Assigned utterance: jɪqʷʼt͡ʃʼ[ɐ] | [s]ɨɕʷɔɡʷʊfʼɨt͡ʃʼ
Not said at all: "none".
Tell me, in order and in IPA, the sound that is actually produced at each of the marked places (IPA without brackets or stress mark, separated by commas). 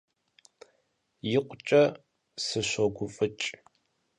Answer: ɐ, s